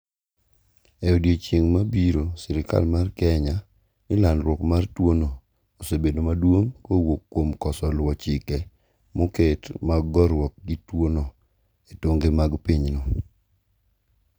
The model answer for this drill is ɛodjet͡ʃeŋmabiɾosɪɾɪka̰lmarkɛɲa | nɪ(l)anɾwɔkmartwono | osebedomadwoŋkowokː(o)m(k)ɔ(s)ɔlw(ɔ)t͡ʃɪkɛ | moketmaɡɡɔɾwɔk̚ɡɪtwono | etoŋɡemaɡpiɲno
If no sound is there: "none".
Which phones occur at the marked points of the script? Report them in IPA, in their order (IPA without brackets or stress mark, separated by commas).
l, o, k, s, ɔ